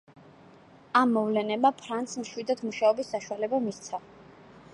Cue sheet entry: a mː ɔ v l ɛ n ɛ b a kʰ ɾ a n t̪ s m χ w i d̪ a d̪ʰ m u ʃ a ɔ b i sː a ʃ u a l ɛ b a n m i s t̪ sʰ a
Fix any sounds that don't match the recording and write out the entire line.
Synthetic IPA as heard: a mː ɔ v l ɛ n ɛ b a pʰ ɾ a n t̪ s m ʃ w i d̪ a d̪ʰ m u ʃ a ɔ b i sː a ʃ u a l ɛ b a m i s t̪ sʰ a